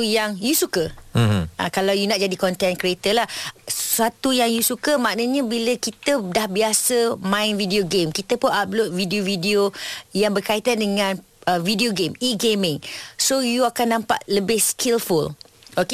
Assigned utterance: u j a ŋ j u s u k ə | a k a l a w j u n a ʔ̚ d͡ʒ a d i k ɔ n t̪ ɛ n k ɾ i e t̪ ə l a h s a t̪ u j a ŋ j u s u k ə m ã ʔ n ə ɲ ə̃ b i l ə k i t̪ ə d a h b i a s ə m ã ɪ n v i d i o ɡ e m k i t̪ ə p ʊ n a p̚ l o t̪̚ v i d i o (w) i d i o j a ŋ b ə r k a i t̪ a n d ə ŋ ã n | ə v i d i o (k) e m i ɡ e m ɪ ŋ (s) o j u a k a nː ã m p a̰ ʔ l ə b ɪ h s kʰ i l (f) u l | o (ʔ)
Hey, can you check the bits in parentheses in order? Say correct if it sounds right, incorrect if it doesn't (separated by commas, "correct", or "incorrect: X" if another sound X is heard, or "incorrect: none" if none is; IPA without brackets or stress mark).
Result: incorrect: v, incorrect: ɡ, correct, correct, incorrect: k